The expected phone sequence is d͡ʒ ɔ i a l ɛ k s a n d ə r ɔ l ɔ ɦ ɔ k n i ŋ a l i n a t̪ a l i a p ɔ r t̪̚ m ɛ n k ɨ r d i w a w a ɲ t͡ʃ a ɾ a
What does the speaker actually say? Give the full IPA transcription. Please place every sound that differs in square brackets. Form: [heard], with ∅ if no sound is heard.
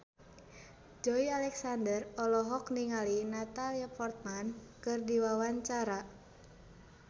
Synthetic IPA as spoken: d͡ʒ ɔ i a l ɛ k s a n d ə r ɔ l ɔ ɦ ɔ k n i ŋ a l i n a t̪ a l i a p ɔ r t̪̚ m [a] n k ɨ r d i w a w a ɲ t͡ʃ a ɾ a